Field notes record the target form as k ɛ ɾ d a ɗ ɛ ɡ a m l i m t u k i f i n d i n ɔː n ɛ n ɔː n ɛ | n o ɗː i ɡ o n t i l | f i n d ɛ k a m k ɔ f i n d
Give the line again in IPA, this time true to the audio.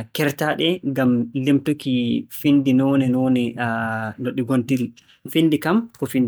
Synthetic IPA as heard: k ɛ ɾ t a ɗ ɛ ɡ a m l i m t u k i f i n d i n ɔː n ɛ n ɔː n ɛ | n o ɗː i ɡ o n t i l | f i n d i k a m k ɔ f i n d